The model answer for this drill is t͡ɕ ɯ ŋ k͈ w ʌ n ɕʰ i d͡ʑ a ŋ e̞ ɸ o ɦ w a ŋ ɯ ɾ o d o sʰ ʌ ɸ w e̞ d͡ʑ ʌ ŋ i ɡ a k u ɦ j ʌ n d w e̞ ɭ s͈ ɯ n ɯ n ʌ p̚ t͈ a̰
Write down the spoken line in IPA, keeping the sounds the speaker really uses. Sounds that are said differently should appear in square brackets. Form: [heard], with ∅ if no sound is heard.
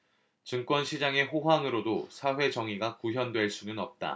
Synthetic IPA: t͡ɕ ɯ ŋ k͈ w ʌ n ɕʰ i d͡ʑ a ŋ e̞ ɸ o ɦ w a ŋ ɯ ɾ o d o sʰ [a] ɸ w e̞ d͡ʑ ʌ ŋ i ɡ a k u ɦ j ʌ n d w e̞ ɭ s͈ [u] n ɯ n ʌ p̚ t͈ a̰